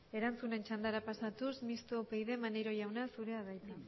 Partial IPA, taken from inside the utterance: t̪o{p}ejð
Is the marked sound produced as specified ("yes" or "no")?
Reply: yes